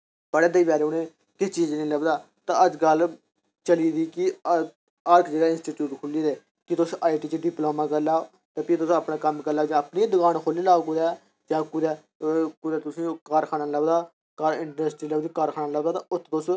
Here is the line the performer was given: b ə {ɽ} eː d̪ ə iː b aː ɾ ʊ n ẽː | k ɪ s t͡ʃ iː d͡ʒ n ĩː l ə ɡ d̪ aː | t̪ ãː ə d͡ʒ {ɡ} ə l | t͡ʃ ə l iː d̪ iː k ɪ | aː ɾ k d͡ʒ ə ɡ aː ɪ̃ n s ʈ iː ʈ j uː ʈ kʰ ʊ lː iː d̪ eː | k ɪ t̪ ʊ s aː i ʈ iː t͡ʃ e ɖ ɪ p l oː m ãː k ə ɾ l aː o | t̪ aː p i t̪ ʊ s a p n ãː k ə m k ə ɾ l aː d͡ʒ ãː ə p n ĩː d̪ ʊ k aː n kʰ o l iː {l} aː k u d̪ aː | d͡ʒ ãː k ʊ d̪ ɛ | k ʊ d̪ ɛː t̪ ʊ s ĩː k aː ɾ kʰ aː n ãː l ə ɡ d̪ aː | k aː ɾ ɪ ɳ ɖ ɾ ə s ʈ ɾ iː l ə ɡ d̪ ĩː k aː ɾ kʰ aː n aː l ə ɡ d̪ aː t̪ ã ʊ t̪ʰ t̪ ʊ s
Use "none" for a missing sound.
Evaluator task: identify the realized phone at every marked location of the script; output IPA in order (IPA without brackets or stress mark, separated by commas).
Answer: ɽ, ɡ, l